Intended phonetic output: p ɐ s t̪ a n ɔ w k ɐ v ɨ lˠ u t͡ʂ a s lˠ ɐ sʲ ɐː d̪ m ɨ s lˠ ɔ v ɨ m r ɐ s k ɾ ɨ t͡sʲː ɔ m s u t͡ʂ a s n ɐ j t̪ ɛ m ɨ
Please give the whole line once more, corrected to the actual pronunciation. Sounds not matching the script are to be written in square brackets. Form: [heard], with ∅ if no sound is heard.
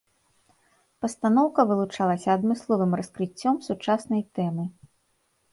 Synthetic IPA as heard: p ɐ s t̪ a n ɔ w k ɐ v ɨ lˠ u t͡ʂ a [∅] lˠ ɐ sʲ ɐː d̪ m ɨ s lˠ ɔ v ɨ m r ɐ s k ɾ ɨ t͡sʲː ɔ m s u t͡ʂ a s n ɐ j t̪ ɛ m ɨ